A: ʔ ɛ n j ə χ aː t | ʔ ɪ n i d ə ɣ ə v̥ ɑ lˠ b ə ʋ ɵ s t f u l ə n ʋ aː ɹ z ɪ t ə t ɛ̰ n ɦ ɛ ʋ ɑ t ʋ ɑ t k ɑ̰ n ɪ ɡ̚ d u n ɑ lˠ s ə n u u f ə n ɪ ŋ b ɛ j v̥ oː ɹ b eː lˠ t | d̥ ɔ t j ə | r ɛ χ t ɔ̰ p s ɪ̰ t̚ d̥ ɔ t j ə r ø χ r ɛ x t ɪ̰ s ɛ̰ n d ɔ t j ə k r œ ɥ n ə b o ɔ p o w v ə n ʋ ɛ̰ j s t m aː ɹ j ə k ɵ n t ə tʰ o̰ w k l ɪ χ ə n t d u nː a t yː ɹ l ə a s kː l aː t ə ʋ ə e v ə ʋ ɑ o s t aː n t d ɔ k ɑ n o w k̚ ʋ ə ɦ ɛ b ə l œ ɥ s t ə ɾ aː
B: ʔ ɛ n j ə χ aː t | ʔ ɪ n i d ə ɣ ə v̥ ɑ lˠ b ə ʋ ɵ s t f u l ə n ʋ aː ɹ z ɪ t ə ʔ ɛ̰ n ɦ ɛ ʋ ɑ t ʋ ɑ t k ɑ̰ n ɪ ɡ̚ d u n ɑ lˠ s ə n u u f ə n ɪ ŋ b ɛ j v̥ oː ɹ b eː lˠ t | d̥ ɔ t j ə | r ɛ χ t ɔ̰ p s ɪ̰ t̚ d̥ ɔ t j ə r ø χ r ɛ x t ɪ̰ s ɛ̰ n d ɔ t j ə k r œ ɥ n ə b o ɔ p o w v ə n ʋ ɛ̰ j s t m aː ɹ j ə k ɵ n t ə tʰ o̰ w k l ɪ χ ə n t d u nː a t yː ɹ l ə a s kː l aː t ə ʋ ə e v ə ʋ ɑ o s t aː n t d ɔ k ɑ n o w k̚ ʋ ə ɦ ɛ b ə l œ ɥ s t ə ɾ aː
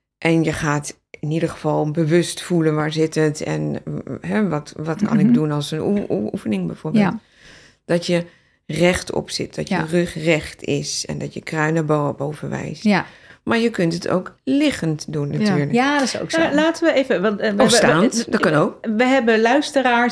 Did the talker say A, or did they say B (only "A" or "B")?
A